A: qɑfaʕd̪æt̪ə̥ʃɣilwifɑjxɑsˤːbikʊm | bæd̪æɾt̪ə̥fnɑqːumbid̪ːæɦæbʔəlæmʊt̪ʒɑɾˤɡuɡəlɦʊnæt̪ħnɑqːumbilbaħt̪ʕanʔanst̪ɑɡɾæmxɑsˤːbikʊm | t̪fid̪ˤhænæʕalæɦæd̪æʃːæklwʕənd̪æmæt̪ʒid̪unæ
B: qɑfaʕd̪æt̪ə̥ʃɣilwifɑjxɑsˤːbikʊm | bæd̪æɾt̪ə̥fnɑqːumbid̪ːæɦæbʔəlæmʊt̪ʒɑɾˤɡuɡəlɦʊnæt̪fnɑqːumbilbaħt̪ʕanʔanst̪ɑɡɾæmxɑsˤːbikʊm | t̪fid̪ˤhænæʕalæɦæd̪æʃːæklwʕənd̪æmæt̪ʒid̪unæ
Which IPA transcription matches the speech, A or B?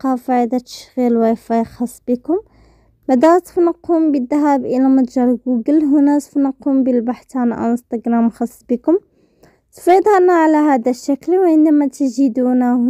B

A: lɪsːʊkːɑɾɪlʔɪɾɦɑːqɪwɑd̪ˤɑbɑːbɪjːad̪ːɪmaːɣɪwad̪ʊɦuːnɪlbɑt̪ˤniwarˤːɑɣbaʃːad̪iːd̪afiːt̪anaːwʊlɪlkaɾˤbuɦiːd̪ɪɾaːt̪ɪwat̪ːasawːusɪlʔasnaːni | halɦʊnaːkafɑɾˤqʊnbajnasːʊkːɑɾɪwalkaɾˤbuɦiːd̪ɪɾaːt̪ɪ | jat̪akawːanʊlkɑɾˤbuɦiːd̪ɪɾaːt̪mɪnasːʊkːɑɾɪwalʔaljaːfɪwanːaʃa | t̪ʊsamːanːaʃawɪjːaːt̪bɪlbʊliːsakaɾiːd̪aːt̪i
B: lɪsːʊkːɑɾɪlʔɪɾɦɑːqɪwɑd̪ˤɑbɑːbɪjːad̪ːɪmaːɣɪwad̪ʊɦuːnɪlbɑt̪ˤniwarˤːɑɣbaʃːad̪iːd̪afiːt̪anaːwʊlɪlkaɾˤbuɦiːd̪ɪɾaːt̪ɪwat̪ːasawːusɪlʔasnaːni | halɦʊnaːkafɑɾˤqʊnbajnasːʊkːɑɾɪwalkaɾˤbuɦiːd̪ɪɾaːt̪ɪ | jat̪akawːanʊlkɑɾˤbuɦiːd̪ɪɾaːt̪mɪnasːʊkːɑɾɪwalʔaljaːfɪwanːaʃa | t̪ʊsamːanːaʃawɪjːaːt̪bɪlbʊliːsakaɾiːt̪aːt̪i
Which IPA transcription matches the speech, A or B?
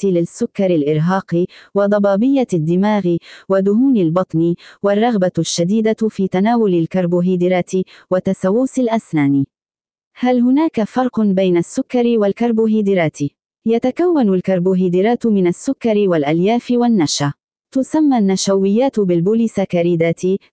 A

